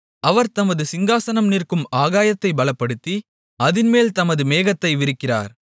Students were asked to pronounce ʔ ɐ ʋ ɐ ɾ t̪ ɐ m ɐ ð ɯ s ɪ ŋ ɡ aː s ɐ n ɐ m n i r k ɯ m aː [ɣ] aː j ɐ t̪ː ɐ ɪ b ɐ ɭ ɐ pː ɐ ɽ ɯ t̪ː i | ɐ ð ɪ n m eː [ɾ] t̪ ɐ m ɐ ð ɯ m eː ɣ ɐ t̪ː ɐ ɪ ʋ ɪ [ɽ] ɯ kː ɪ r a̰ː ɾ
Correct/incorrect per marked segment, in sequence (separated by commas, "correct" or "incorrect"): correct, incorrect, incorrect